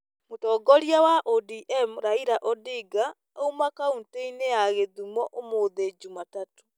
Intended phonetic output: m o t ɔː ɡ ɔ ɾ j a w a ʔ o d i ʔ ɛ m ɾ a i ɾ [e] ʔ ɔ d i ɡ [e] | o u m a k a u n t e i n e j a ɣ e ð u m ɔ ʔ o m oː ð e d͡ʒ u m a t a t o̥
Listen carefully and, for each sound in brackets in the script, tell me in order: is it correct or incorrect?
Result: incorrect: a, incorrect: a

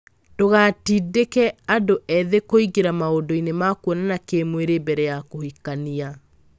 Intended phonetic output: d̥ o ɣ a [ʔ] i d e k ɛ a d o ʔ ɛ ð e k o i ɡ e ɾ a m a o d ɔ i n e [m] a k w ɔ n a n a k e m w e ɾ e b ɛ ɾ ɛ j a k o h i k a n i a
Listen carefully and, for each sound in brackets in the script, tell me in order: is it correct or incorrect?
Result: incorrect: t, correct

